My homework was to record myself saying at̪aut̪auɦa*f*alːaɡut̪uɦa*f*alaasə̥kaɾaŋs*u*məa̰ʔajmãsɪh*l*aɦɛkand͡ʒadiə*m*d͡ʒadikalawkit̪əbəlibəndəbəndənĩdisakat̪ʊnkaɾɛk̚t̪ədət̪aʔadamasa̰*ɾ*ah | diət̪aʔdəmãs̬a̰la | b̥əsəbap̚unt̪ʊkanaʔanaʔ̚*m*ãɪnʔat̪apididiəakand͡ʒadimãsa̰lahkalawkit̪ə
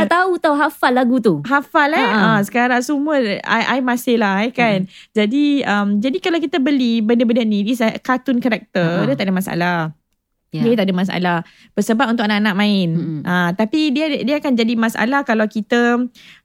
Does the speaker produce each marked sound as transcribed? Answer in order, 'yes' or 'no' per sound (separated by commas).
yes, yes, yes, yes, yes, no, yes